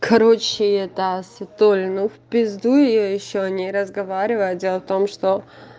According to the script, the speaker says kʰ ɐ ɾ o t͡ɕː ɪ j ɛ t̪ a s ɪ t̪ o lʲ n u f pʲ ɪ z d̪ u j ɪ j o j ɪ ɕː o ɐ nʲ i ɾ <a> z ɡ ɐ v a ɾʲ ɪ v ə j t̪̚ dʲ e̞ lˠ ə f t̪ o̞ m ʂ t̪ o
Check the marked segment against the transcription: incorrect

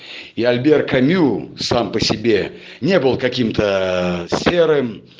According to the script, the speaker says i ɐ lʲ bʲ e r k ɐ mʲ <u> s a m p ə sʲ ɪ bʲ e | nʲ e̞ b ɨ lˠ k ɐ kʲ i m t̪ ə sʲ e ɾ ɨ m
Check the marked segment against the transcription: correct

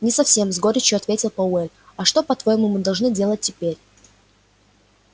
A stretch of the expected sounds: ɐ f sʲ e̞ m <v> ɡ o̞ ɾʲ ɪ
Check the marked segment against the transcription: incorrect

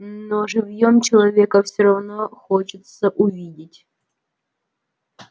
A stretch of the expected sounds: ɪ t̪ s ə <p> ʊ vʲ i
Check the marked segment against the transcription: incorrect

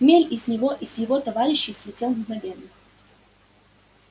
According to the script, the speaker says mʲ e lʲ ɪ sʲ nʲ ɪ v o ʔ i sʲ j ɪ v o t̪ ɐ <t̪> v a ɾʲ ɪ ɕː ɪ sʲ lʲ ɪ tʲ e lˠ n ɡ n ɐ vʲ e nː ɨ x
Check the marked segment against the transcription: incorrect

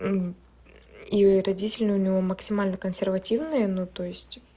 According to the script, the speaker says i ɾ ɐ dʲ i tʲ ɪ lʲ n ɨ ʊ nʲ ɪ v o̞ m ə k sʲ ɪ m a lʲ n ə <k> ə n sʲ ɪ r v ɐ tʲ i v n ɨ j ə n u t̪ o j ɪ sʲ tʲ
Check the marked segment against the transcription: correct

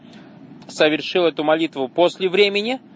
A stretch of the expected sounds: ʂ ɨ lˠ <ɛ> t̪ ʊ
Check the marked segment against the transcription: correct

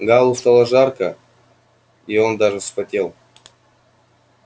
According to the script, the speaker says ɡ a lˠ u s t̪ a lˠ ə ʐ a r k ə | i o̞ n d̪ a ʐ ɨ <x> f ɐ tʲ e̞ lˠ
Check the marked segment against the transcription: incorrect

